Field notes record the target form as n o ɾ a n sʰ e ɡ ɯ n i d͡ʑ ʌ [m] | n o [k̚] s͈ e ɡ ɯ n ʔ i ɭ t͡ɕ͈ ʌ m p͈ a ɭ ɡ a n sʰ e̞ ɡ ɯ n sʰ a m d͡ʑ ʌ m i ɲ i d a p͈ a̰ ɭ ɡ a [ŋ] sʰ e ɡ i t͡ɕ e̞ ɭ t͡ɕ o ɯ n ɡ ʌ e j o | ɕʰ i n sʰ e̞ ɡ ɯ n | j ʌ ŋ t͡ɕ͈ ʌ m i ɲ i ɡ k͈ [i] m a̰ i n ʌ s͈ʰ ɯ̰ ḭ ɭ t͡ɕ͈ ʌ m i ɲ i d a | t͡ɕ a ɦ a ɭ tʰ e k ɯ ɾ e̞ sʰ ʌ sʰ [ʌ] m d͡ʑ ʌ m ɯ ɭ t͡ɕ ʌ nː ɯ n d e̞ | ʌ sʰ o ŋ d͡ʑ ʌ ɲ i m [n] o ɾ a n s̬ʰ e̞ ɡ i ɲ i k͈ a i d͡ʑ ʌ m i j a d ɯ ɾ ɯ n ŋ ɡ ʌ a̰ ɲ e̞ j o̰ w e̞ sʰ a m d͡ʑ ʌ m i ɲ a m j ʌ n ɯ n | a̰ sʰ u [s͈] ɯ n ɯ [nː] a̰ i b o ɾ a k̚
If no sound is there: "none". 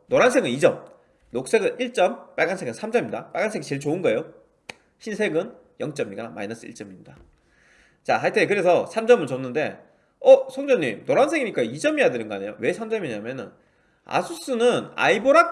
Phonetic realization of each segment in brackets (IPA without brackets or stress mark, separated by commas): m, k̚, n, a, a, n, s͈, n